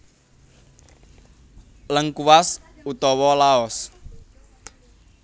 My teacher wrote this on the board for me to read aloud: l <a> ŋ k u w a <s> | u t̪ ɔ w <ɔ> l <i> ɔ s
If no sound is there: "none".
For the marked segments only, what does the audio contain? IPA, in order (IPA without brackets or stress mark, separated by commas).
ə, s, ɔ, a